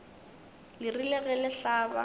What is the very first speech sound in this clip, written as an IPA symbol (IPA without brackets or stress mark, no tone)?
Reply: l